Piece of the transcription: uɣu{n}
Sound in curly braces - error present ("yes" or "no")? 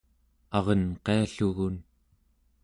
no